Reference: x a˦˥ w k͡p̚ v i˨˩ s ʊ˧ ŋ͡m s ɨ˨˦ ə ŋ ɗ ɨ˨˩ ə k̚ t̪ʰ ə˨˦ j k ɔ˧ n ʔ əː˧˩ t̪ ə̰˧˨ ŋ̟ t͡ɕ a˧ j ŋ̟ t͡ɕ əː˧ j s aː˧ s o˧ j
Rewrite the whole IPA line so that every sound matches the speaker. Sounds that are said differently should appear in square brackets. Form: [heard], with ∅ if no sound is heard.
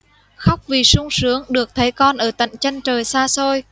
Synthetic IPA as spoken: x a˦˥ w k͡p̚ v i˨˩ s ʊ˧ ŋ͡m s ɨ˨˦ ə ŋ ɗ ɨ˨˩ ə k̚ t̪ʰ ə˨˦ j k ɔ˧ n ʔ əː˧˩ t̪ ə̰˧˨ ŋ̟ t͡ɕ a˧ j ŋ̟ t͡ɕ [əː˨˩] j s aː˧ s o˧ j